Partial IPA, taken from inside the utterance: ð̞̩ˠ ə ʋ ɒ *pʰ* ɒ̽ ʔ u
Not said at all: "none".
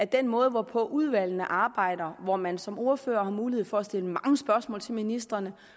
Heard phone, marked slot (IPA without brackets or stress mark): pʰ